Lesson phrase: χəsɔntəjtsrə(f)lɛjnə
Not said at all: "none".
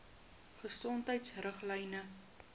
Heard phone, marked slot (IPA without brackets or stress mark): χ